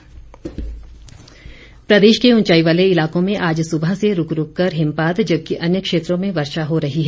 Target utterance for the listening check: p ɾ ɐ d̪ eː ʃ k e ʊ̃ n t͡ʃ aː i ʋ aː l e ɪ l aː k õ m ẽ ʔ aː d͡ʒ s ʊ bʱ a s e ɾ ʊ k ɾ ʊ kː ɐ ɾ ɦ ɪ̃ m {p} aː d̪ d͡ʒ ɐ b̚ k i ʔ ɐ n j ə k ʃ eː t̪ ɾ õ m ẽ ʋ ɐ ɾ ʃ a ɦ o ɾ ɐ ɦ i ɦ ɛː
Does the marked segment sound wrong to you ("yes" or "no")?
no